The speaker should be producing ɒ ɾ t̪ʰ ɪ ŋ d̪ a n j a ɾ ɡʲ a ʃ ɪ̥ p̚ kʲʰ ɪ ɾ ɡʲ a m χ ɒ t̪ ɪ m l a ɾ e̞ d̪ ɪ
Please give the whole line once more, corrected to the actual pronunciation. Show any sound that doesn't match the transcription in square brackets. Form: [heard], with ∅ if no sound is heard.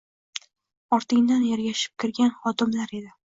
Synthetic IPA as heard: ɒ ɾ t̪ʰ ɪ ŋ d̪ a n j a ɾ ɡʲ a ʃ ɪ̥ p̚ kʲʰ ɪ ɾ ɡʲ a [n] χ ɒ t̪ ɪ m l a ɾ e̞ d̪ ɪ